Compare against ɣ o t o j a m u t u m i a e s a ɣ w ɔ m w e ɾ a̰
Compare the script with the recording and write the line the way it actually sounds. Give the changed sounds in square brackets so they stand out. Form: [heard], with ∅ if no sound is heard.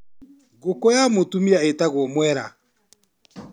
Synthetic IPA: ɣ o [k] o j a m [o] t u m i a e [t] a ɣ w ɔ m w [ɛ] ɾ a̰